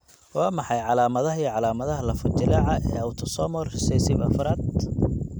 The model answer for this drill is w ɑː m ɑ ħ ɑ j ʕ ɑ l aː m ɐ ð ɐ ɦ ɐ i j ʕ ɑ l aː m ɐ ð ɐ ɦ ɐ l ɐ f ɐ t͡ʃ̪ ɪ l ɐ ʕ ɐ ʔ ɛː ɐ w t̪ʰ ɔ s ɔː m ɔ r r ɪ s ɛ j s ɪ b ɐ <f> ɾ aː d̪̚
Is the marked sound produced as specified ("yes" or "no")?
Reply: yes